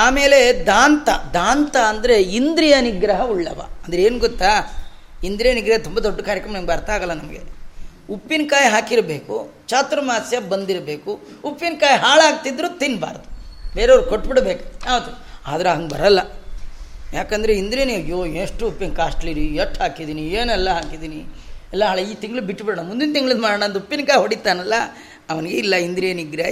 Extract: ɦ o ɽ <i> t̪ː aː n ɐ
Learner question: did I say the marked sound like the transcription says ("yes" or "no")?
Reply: yes